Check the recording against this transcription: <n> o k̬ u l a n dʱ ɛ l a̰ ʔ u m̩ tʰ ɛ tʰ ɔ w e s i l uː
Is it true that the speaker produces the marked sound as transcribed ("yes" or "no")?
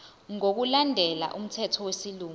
no